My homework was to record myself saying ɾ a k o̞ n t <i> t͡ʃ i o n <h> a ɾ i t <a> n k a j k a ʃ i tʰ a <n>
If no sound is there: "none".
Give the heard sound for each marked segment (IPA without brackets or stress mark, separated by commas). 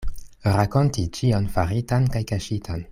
i, f, a, n